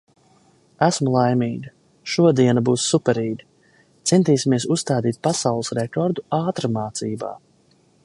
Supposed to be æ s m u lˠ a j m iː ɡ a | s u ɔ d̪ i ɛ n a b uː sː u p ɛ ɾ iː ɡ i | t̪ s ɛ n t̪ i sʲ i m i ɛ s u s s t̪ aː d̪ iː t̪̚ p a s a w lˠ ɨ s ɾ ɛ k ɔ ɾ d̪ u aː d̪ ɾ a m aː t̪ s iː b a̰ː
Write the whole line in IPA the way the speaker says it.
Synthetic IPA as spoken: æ s m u lˠ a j m iː ɡ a | ʃ u ɔ d̪ i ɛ n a b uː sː u p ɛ ɾ iː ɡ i | t̪ s ɛ n t̪ iː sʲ i m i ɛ s u s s t̪ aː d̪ iː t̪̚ p a s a w lˠ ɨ s ɾ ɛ k ɔ ɾ d̪ u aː t̪ ɾ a m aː t̪ s iː b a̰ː